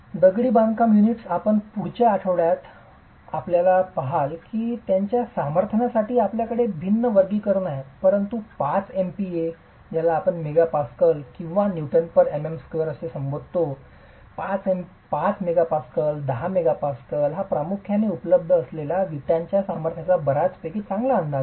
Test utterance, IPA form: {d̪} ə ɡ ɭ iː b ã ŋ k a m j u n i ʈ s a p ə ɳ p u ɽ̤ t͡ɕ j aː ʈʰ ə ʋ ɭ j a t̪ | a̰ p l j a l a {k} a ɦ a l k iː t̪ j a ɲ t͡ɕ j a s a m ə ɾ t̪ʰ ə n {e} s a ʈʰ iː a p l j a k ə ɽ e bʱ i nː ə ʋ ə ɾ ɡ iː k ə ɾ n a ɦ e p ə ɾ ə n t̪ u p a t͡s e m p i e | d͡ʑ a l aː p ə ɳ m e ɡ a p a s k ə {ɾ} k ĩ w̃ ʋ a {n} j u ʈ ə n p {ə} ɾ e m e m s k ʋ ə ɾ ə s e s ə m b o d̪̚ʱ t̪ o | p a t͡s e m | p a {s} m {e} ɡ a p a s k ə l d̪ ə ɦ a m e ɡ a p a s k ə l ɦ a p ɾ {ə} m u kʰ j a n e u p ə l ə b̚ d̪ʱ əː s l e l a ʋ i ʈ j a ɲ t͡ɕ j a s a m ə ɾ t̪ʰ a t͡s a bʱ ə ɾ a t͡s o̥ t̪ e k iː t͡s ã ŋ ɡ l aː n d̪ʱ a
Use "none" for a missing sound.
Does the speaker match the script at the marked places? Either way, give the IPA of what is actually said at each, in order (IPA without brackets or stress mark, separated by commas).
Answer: d̪, p, a, l, n, ə, t͡s, e, a